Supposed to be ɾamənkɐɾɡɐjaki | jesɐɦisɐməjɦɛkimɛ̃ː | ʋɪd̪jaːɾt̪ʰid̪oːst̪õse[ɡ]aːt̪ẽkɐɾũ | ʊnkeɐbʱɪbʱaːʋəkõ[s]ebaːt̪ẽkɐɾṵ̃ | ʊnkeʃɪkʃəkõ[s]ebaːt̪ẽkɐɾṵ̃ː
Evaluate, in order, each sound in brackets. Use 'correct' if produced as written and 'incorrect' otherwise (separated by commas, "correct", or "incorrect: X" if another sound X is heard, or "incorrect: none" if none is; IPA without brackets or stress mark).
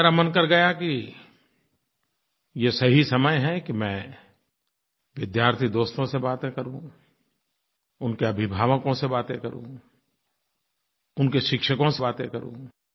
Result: incorrect: b, correct, correct